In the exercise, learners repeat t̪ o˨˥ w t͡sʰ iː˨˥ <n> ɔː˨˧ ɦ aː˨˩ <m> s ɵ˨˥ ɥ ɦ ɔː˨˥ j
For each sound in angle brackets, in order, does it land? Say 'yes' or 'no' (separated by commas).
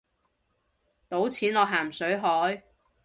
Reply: yes, yes